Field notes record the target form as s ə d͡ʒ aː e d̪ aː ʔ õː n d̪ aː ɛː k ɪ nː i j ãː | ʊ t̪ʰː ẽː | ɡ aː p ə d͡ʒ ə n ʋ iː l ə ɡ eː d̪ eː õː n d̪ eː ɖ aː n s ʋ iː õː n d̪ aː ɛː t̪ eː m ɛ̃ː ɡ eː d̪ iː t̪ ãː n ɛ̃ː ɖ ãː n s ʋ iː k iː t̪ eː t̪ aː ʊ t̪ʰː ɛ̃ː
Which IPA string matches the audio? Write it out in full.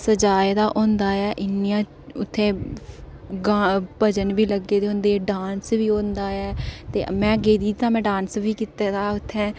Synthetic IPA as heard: s ə d͡ʒ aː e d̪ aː ʔ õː n d̪ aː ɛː ʔ ɪ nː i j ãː | ʊ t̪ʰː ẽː | ɡ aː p ə d͡ʒ ə n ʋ iː l ə ɡ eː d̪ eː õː n d̪ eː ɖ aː n s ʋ iː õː n d̪ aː ɛː t̪ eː m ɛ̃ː ɡ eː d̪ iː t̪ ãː m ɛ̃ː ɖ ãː n s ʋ iː k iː t̪ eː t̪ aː ʊ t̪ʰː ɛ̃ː